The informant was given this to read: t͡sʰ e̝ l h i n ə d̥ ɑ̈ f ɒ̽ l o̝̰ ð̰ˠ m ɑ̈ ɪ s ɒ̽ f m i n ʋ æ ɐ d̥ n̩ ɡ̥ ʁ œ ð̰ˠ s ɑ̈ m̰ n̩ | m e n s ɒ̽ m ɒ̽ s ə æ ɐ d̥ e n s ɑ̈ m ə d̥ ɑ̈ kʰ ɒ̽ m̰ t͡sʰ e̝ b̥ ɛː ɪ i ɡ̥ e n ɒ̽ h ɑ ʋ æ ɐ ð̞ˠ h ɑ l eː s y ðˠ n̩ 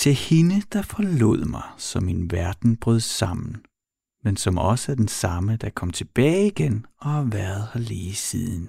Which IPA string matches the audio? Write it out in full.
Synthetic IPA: t͡sʰ e̝ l h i n ə d̥ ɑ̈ f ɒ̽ l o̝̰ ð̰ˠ m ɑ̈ ɪ s ɒ̽ m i n ʋ æ ɐ d̥ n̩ b̥ ʁ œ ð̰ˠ s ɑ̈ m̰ n̩ | m e n s ɒ̽ m ɒ̽ s ə æ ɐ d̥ e n s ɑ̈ m ə d̥ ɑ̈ kʰ ɒ̽ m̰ t͡sʰ e̝ b̥ ɛː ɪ i ɡ̥ e n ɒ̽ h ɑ ʋ æ ɐ ð̞ˠ h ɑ l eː s i ðˠ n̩